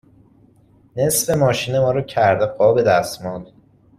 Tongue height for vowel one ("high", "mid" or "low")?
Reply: mid